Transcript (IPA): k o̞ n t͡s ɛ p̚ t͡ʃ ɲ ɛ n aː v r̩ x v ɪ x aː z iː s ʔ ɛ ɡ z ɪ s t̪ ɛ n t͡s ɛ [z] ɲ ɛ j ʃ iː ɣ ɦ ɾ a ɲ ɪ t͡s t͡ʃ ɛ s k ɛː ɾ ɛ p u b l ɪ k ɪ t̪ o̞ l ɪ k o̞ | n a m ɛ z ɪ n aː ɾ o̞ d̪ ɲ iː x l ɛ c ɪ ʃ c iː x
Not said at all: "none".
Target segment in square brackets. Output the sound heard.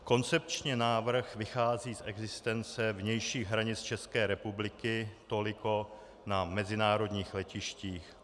v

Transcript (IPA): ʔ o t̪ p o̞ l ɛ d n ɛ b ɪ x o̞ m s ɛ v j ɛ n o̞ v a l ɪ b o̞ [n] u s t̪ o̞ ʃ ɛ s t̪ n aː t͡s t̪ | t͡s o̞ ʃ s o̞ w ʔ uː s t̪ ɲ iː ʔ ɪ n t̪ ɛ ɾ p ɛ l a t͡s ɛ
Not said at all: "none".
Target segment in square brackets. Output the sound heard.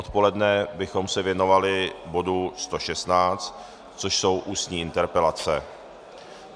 d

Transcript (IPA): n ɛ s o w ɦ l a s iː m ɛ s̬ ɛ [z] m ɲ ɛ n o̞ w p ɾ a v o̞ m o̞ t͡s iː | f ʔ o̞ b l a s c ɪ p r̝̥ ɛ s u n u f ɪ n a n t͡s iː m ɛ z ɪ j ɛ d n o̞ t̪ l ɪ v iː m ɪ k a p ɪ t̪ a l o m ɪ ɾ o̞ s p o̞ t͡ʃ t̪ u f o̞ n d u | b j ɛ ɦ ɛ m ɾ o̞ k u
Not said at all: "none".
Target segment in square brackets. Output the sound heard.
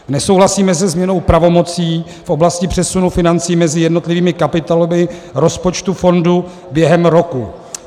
z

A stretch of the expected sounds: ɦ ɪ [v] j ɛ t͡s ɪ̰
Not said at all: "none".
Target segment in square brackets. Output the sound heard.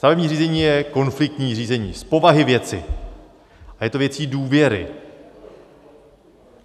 v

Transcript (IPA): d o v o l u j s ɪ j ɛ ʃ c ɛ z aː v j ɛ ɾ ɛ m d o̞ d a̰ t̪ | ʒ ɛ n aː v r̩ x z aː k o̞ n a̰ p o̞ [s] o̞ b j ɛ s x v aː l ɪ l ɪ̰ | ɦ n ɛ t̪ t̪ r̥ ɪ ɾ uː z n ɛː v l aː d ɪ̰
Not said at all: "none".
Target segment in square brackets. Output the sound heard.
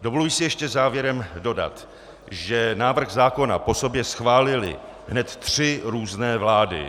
s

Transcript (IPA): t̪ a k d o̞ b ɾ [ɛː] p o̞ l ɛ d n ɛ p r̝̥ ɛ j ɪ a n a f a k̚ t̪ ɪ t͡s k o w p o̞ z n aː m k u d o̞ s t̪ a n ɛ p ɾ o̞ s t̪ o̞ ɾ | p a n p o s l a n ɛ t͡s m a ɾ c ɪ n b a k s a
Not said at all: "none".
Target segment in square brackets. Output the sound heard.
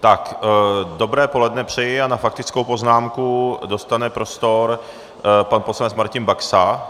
ɛː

